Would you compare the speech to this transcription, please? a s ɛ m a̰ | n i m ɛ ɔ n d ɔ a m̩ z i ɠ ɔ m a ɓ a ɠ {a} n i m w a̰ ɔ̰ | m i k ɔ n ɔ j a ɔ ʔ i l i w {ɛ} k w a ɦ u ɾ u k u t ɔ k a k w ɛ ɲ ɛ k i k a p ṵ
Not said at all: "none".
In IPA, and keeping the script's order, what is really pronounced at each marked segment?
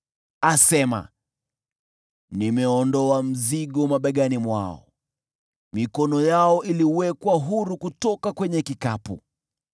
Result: a, ɛ

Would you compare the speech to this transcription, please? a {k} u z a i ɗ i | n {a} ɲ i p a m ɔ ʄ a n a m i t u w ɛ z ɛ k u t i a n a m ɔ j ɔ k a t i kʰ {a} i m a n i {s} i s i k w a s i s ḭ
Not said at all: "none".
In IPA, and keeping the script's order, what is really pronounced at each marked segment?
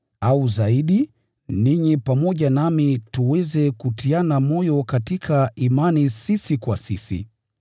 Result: none, i, a, s

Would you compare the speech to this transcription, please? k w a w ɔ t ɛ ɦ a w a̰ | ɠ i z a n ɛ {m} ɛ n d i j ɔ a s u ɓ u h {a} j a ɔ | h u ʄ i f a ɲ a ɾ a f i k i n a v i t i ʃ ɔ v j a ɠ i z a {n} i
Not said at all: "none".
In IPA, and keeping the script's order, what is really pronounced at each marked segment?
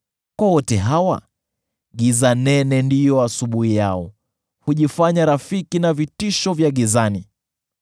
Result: n, i, n

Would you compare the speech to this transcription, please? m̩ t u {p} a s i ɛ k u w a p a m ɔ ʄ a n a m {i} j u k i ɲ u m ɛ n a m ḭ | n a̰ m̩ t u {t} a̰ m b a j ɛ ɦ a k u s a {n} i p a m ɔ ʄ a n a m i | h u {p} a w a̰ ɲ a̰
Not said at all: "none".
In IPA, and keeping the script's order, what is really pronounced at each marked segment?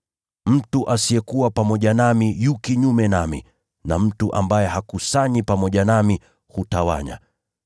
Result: ʔ, i, ʔ, ɲ, t

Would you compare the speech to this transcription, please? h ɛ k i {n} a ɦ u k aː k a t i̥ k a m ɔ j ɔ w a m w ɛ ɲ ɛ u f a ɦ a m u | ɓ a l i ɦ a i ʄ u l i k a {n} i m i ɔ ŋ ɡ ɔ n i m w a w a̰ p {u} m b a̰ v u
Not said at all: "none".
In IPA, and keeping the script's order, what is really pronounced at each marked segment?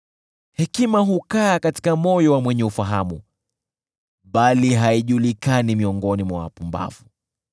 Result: m, n, u

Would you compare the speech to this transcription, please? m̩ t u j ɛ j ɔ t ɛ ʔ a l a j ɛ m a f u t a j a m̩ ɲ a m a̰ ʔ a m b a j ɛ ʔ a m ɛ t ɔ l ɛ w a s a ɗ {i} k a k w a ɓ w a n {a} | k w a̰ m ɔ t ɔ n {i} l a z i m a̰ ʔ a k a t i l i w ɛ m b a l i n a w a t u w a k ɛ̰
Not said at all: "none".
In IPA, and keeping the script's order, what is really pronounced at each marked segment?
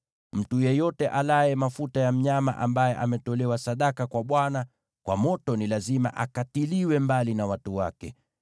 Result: a, a, i

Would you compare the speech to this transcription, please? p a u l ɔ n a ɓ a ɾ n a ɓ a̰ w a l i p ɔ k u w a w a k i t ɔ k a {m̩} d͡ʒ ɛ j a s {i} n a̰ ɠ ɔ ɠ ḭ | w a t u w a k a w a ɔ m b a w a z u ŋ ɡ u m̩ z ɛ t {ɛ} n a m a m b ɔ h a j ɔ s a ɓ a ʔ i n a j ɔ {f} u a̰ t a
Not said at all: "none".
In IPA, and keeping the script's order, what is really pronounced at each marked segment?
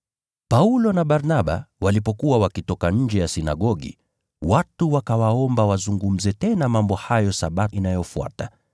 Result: ɲ̩, i, ɛ, f

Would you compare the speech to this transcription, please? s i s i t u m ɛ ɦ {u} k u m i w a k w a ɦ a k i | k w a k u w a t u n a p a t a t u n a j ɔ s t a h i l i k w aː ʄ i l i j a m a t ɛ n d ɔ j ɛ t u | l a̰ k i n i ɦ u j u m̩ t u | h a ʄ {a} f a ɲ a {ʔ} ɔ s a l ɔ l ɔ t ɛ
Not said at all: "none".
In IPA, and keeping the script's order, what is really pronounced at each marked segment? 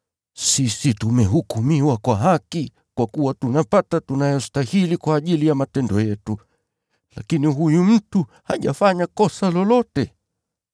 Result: u, a, k

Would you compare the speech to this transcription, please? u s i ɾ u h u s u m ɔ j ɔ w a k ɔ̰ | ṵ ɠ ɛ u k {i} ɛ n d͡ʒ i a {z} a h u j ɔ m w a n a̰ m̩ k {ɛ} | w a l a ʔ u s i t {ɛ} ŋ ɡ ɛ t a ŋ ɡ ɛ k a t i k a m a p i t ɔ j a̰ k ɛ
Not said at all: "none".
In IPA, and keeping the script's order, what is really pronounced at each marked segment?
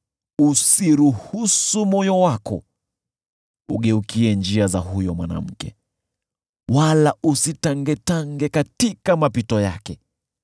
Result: i, z, ɛ, a

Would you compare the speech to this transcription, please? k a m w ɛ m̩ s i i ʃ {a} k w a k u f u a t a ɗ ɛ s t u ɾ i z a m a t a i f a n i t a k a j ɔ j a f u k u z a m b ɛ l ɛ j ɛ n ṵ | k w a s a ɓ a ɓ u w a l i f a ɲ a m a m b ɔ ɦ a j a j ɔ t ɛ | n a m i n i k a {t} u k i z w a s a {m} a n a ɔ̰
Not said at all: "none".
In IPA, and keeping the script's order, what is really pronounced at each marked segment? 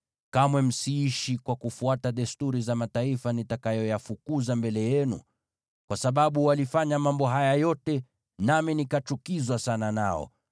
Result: i, t͡ʃ, n

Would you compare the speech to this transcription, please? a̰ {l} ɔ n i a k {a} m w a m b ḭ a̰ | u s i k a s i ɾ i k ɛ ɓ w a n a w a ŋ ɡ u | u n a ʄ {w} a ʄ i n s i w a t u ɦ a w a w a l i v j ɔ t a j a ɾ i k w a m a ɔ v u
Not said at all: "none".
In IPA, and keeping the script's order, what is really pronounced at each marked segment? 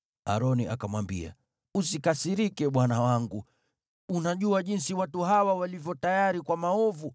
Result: ɾ, a, u

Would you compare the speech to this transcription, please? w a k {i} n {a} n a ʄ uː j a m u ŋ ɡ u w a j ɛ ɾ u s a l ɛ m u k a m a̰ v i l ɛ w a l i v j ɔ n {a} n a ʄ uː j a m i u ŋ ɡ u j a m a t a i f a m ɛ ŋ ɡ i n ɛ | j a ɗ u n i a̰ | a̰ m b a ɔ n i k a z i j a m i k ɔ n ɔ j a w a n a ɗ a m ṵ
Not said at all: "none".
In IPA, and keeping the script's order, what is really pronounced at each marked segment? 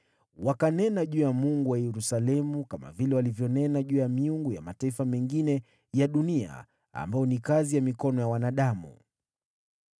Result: a, ɛ, ɛ

